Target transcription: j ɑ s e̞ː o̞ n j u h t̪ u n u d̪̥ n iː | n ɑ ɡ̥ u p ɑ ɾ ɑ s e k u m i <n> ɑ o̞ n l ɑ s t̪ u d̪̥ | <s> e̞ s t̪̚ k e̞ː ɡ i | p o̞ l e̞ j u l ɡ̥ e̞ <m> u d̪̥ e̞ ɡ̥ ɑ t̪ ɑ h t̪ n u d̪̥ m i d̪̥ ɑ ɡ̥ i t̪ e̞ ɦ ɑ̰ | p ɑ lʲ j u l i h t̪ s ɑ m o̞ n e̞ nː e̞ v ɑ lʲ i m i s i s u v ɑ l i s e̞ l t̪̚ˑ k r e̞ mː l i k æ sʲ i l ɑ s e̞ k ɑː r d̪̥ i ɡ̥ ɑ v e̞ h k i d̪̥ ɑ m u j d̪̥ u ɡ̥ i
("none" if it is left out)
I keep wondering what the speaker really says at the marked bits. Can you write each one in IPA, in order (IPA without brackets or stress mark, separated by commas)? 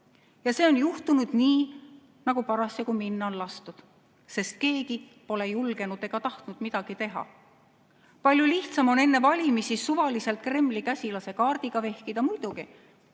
nː, s, n